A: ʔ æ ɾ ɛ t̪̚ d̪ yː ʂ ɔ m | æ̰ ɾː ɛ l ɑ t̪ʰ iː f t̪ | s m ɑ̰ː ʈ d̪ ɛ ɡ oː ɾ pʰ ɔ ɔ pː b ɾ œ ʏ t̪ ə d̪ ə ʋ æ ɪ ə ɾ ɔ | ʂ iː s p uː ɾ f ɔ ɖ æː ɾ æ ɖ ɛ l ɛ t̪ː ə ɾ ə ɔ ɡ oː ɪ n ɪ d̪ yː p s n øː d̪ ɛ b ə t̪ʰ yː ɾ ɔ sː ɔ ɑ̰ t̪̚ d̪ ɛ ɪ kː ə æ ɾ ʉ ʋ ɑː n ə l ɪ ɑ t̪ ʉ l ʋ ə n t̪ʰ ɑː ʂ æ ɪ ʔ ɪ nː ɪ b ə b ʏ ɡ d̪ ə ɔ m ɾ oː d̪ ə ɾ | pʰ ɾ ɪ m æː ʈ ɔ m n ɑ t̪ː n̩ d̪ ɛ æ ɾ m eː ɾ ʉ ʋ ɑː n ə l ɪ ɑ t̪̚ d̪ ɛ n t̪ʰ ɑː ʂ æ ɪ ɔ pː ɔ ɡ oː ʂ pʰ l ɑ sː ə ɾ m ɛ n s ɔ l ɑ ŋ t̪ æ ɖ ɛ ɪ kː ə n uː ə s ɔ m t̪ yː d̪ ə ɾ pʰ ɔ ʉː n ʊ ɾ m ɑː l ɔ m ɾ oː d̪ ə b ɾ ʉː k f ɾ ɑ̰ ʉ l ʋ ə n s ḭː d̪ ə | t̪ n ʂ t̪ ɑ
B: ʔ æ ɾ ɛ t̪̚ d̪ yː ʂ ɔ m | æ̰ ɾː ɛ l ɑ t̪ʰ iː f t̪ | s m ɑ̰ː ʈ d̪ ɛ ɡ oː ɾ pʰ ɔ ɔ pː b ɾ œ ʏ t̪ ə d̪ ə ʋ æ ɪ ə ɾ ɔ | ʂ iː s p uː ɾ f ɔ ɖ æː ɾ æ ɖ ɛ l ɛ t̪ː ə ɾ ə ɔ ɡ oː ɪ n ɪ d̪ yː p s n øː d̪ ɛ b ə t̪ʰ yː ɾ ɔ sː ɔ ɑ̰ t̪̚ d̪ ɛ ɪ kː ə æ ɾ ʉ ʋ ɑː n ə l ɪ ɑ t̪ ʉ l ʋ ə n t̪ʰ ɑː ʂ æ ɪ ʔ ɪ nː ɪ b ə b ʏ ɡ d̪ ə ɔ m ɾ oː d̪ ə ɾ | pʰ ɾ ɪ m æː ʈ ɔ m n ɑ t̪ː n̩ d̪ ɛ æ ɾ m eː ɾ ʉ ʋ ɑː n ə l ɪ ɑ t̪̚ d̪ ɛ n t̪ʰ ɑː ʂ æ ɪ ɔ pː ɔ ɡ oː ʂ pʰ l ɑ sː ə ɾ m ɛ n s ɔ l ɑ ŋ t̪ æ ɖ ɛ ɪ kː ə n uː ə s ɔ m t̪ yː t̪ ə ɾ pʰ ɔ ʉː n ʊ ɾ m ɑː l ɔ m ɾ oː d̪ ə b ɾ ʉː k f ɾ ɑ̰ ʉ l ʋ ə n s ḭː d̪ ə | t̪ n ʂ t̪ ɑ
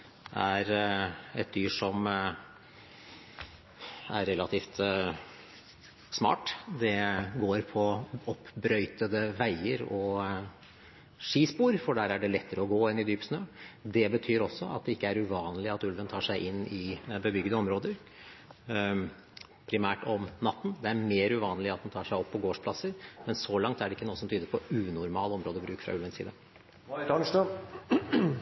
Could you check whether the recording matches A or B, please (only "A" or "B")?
A